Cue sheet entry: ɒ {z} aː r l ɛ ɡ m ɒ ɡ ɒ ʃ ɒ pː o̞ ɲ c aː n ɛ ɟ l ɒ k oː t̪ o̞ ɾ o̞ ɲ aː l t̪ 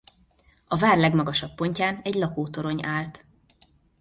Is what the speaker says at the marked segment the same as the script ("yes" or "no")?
no